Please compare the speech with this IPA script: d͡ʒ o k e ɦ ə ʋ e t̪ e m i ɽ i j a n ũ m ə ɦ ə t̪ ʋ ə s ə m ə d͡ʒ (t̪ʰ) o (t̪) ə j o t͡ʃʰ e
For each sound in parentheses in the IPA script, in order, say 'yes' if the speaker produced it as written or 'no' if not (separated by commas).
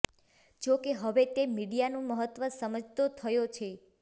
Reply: no, no